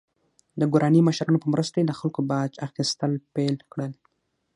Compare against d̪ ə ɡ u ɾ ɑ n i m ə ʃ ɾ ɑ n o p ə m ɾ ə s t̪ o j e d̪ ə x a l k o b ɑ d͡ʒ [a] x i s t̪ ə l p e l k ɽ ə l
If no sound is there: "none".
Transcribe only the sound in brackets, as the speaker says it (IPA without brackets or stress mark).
a